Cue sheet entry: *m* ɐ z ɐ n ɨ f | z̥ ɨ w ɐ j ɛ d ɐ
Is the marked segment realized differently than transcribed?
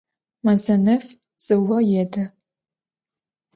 no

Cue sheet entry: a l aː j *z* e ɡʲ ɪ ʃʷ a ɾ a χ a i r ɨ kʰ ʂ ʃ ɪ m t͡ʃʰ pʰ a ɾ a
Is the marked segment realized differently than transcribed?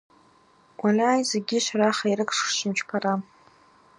no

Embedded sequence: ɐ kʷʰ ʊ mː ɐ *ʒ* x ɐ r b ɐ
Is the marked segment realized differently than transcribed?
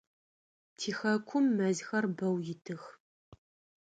yes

